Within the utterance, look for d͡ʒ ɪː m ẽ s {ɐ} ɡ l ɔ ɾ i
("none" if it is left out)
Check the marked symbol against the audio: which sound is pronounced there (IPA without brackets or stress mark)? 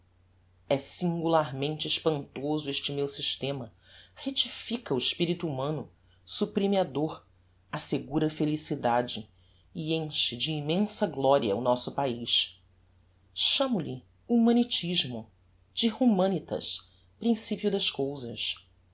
ɐ